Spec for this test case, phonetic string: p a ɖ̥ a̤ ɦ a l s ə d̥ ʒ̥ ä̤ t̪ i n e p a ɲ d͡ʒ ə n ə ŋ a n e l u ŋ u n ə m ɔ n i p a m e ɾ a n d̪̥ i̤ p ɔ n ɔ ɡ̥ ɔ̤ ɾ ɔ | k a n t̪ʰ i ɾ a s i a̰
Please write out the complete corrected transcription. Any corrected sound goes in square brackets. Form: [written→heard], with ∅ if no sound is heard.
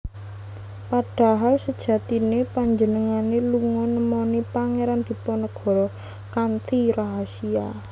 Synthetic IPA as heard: p a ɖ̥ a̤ ɦ a l s ə d̥ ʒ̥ ä̤ t̪ i n e p a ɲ d͡ʒ ə n ə ŋ a n e l u ŋ [u→ɔ] n ə m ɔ n i p a [m→ŋ] e ɾ a n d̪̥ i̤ p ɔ n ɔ ɡ̥ ɔ̤ ɾ ɔ | k a n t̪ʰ i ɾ a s i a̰